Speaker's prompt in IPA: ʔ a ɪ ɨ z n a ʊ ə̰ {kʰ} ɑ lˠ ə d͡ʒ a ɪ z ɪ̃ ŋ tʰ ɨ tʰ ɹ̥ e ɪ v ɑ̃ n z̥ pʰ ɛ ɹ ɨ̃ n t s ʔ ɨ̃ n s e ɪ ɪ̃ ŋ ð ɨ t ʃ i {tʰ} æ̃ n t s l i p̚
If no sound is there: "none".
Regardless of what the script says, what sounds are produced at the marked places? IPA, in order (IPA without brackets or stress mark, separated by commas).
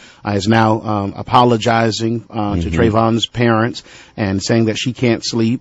pʰ, kʰ